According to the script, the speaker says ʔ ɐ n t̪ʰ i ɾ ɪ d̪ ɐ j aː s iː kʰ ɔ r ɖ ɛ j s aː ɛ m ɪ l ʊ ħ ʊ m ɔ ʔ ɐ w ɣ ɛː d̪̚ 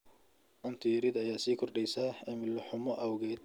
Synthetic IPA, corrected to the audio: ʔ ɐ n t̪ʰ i ɾ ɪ d̪ ɐ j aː s iː kʰ ɔ r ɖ ɛ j s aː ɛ m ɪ l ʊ ħ ʊ m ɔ ʔ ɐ w ɣ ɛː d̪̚